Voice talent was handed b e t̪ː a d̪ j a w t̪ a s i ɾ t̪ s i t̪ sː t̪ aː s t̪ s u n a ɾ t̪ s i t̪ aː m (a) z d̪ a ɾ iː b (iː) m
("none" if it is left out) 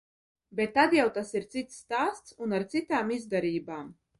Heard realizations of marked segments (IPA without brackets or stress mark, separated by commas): i, aː